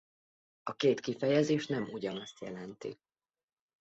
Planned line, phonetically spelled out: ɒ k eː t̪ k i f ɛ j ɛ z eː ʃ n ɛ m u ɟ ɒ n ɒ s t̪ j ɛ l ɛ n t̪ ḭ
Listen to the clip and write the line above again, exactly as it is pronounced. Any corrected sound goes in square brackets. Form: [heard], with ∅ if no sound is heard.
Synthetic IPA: ɒ k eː t̪ k i f ɛ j ɛ z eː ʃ n ɛ m u ɟ ɒ n ɒ s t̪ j ɛ l ɛ n t̪ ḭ